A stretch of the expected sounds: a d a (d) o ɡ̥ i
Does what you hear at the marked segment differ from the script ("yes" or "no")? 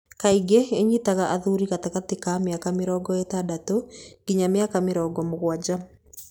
yes